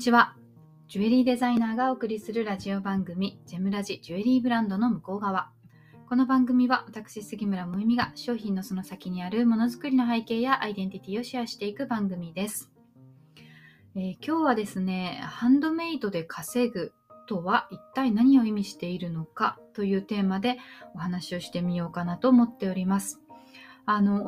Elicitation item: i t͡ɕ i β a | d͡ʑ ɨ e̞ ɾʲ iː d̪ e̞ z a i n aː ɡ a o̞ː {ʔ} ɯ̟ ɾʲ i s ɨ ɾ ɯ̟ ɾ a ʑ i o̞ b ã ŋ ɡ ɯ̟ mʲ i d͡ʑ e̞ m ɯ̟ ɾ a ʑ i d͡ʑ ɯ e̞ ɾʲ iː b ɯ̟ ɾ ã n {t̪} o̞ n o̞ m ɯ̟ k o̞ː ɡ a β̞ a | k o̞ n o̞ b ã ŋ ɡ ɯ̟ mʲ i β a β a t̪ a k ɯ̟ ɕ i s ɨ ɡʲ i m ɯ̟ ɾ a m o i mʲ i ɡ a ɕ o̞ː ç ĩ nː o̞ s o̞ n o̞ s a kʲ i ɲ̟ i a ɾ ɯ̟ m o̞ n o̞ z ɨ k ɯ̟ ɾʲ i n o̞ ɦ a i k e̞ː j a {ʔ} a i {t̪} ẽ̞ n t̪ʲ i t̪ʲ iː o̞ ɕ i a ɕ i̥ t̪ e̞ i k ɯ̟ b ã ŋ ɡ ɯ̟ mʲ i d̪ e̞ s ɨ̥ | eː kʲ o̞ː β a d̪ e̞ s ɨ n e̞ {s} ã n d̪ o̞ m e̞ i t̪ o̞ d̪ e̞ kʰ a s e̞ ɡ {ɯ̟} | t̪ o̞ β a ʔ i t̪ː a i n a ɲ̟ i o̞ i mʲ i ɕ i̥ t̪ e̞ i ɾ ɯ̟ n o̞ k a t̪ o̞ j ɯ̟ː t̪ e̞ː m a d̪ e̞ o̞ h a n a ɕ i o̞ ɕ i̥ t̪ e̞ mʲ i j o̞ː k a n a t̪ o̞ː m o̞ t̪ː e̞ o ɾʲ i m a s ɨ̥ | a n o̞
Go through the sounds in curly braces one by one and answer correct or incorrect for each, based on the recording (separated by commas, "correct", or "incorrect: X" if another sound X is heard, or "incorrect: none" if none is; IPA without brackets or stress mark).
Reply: incorrect: k, incorrect: d̪, correct, incorrect: d̪, incorrect: h, correct